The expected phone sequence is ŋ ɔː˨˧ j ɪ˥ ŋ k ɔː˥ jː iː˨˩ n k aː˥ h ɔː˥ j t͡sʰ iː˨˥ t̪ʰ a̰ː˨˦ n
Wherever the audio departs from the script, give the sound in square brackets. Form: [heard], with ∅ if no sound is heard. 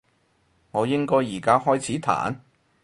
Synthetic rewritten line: ŋ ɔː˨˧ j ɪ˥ ŋ k ɔː˥ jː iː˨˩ [∅] k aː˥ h ɔː˥ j t͡sʰ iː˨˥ t̪ʰ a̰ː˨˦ n